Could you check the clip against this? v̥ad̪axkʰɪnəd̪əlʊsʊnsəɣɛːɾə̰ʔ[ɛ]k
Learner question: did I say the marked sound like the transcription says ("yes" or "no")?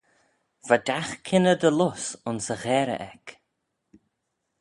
yes